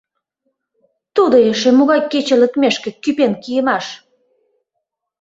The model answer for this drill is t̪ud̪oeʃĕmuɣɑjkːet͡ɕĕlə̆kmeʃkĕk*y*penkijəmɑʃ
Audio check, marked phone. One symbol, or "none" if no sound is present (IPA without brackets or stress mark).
y